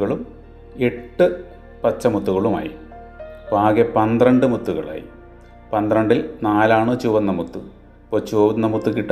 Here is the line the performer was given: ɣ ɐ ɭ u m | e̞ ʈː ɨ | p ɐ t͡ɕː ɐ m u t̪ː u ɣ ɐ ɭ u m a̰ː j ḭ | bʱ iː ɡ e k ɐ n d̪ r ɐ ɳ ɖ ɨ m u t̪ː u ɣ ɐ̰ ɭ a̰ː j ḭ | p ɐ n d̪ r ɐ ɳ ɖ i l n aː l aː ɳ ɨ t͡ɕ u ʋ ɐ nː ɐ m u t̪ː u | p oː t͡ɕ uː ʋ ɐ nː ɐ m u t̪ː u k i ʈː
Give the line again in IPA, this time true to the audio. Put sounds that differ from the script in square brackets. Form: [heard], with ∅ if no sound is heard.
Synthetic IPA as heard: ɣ ɐ ɭ u m | e̞ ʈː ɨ | p ɐ t͡ɕː ɐ m u t̪ː u ɣ ɐ ɭ u m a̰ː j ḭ | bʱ [aː] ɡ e [p] ɐ n d̪ r ɐ ɳ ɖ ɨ m u t̪ː u ɣ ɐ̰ ɭ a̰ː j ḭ | p ɐ n d̪ r ɐ ɳ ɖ i l n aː l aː ɳ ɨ t͡ɕ u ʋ ɐ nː ɐ m u t̪ː u | p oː t͡ɕ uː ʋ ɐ nː ɐ m u t̪ː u k i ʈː